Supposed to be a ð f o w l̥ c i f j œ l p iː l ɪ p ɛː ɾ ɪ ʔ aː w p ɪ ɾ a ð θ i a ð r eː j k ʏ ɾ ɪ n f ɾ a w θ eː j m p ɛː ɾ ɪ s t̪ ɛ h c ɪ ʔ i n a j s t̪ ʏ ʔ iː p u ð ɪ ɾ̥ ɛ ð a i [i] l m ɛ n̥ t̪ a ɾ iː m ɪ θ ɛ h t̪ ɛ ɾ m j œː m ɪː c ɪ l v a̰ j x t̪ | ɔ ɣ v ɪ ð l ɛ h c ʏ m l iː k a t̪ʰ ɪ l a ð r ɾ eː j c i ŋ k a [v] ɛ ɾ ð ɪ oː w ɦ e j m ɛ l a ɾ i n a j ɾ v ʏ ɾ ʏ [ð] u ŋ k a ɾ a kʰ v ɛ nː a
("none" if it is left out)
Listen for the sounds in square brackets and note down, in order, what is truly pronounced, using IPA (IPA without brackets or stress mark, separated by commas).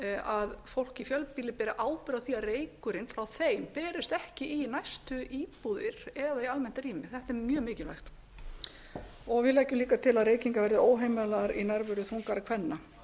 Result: a, v, θ